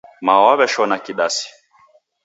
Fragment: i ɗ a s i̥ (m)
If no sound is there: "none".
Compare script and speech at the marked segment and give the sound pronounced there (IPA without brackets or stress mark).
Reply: none